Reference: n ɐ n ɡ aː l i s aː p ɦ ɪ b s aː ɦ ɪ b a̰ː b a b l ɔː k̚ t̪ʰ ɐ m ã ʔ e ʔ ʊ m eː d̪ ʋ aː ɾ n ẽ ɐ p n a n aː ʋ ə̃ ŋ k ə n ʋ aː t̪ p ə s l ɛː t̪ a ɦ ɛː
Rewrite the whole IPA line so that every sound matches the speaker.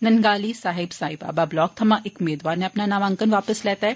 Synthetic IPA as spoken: n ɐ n ɡ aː l i s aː ɦ ɪ b s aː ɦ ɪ b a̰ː b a b l ɔː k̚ t̪ʰ ɐ m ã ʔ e k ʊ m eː d̪ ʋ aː ɾ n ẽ ɐ p n a n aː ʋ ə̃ ŋ k ə n ʋ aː p ə s l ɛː t̪ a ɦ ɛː